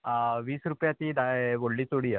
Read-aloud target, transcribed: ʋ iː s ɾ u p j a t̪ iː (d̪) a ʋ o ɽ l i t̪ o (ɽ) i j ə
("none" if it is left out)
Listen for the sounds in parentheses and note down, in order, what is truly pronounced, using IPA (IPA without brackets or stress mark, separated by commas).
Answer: d̪, ɽ